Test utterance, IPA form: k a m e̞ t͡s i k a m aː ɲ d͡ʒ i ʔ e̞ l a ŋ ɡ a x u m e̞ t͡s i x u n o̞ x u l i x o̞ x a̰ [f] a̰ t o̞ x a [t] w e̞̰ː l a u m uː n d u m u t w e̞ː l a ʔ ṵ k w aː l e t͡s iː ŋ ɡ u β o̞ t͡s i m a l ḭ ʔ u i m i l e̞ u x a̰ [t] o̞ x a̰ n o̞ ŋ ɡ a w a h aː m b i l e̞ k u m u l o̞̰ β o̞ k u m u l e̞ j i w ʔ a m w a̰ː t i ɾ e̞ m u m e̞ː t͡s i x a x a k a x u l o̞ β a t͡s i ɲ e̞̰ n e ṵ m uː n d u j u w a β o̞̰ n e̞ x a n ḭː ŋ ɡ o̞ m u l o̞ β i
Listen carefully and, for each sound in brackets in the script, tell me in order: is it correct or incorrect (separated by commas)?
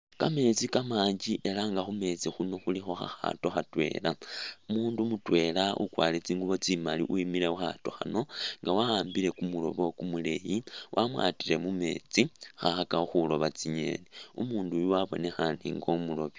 incorrect, correct, correct